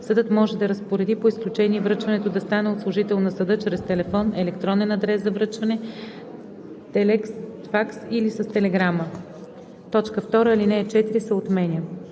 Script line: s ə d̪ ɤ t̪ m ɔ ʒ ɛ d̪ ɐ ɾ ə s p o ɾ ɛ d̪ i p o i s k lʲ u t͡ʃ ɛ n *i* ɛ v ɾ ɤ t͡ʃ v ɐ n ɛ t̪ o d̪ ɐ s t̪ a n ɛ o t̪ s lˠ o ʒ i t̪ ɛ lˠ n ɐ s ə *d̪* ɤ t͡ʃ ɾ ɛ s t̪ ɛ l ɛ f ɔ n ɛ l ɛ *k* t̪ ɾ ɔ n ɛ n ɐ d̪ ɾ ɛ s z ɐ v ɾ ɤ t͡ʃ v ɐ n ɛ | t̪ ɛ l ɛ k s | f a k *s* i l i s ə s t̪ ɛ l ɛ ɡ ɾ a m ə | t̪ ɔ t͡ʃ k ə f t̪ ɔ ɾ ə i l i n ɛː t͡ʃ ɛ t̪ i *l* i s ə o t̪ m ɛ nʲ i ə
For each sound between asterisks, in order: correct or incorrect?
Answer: correct, correct, correct, correct, incorrect: ɾ

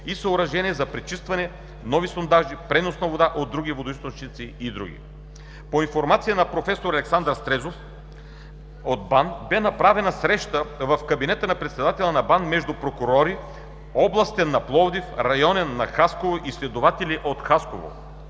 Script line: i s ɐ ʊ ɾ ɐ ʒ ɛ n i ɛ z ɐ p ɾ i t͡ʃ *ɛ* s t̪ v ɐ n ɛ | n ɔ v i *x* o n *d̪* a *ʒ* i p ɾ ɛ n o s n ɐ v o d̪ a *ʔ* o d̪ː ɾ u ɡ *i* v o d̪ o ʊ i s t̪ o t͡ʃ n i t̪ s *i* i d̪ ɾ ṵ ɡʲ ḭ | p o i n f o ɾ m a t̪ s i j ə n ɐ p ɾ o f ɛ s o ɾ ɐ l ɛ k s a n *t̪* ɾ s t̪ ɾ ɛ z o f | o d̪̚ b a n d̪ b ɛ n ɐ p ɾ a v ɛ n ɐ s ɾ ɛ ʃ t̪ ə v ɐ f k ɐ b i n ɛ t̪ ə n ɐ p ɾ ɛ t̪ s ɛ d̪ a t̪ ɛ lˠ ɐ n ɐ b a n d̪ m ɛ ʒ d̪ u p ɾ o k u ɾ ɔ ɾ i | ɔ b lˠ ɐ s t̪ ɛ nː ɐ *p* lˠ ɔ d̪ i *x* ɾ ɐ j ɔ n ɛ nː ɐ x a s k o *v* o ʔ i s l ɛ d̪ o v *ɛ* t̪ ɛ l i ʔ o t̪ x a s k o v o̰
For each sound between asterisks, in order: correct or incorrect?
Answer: incorrect: i, incorrect: s, correct, correct, correct, correct, correct, incorrect: d̪, correct, incorrect: f, correct, incorrect: a

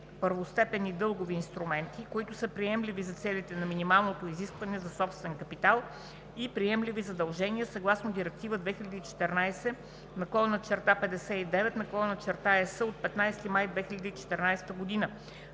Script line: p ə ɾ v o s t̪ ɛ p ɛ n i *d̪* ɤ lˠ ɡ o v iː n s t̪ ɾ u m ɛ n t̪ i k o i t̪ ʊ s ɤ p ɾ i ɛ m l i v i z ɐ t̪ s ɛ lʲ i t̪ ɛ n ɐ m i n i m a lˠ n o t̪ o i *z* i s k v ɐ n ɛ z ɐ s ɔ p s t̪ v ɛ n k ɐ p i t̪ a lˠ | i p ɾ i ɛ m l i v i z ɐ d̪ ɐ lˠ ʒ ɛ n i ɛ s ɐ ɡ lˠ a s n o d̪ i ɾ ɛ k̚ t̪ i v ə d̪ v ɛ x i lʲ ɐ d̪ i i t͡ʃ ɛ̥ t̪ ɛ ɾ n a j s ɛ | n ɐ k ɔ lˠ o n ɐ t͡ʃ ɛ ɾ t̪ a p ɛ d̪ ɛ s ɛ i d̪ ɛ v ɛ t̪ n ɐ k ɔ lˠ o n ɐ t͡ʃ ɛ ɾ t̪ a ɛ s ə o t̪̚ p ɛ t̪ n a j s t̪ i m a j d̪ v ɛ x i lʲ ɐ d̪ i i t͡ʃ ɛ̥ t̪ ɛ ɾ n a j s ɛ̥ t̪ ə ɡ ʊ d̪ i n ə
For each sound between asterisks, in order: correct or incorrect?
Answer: correct, correct

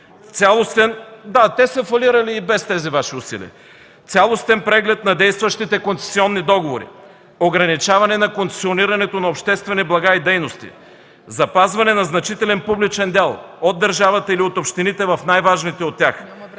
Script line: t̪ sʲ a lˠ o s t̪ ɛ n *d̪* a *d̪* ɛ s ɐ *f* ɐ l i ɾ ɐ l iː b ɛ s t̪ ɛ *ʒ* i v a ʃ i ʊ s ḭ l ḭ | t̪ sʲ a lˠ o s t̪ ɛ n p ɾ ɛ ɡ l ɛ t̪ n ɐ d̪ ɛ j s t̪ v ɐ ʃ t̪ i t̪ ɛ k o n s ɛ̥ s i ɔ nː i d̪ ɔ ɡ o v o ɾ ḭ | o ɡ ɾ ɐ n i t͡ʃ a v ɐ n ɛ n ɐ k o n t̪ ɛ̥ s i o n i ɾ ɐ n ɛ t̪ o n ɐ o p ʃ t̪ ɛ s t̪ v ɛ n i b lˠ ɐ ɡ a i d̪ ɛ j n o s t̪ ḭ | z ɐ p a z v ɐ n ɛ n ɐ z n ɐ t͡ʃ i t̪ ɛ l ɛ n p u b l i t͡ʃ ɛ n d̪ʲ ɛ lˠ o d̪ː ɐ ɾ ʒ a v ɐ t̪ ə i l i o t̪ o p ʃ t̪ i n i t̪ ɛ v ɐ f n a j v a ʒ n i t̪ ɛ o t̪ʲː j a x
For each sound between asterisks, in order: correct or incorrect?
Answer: correct, incorrect: t̪, correct, incorrect: z

